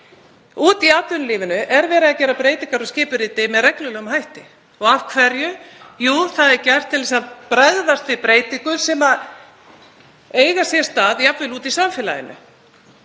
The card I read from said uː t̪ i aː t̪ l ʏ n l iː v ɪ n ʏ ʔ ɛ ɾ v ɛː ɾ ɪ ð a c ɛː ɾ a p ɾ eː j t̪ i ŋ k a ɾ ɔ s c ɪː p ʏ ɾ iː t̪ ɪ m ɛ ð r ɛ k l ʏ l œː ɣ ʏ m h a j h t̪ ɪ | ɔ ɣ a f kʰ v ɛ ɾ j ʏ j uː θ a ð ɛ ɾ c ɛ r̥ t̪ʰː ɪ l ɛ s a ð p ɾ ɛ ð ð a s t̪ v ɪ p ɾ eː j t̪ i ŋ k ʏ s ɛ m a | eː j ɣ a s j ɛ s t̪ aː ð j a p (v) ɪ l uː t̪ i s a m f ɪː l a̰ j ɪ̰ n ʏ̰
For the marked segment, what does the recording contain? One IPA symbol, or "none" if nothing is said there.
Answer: v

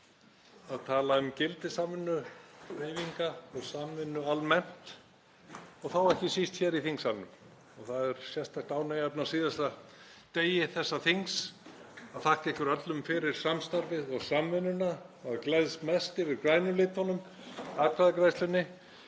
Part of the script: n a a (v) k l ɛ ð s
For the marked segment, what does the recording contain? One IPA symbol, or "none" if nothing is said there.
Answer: ð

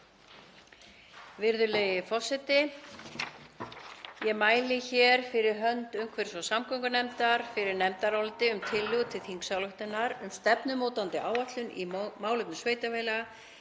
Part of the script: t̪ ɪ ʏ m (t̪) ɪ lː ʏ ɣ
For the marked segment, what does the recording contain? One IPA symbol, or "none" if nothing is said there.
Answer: t̪ʰ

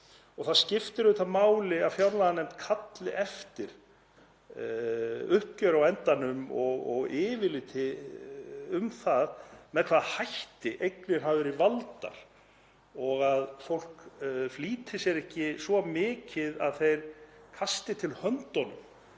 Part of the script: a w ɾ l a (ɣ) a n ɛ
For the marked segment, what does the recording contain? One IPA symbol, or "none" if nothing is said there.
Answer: ð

